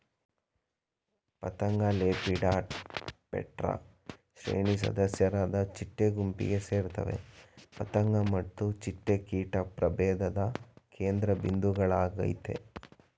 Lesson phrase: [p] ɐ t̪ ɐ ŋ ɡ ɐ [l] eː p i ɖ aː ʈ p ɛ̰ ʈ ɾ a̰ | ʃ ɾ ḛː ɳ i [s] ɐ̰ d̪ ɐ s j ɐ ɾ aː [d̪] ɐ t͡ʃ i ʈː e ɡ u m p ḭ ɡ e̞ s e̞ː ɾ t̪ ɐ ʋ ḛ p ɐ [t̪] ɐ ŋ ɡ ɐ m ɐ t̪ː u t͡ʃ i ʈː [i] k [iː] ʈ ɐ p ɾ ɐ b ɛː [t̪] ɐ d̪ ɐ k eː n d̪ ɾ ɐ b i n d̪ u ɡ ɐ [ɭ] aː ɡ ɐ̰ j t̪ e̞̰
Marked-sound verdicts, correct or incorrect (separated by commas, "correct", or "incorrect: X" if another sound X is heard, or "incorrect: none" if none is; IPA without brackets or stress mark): correct, correct, correct, correct, correct, incorrect: e, correct, incorrect: d̪, correct